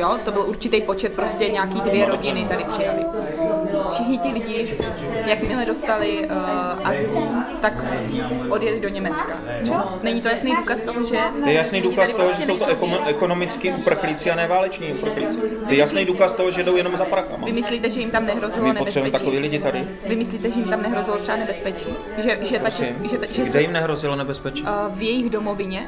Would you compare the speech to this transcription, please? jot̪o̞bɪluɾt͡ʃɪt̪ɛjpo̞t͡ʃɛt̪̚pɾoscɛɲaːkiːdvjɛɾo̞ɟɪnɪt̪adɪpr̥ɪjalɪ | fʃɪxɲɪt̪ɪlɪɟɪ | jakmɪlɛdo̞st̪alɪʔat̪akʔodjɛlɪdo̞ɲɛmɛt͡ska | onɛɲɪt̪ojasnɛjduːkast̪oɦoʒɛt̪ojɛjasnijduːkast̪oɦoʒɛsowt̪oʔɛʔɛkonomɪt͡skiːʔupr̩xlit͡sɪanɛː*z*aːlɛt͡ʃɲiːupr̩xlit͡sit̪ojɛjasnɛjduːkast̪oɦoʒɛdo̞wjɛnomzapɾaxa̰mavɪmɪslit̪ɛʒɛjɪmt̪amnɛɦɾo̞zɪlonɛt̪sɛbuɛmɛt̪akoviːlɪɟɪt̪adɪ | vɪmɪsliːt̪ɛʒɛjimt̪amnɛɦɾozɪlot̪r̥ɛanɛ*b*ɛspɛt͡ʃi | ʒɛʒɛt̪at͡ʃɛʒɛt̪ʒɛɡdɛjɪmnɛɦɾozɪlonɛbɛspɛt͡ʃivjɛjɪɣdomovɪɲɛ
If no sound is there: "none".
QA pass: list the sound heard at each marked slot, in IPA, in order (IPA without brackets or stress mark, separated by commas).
v, b